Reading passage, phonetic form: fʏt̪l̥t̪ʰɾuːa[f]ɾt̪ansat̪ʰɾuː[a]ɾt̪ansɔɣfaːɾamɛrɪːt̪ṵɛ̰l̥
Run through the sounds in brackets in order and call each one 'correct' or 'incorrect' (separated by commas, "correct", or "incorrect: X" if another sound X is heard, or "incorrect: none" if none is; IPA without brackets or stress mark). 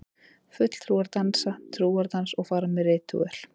incorrect: none, correct